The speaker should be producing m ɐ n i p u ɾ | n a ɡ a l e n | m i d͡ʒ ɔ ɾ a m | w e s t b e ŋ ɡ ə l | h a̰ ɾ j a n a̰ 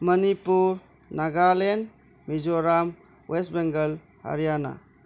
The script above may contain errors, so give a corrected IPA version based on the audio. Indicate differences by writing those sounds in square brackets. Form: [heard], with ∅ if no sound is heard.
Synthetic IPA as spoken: m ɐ n i p u ɾ | n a ɡ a l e n | m i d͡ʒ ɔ ɾ a m | w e s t b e ŋ ɡ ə l | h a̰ ɾ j a n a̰